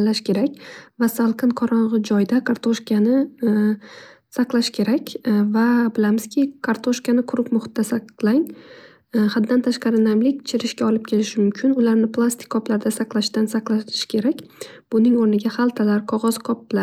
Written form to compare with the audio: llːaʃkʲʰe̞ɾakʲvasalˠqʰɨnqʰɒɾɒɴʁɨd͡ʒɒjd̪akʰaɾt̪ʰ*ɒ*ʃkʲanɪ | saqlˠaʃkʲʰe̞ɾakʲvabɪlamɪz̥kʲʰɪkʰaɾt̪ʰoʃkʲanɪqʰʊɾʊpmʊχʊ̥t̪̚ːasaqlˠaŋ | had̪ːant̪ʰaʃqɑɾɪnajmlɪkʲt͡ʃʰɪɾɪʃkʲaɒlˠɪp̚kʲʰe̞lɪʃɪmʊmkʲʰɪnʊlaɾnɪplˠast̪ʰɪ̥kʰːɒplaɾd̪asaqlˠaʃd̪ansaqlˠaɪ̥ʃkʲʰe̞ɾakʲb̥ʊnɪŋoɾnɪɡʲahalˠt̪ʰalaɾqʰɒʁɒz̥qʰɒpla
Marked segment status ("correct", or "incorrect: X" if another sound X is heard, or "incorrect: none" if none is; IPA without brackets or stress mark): incorrect: o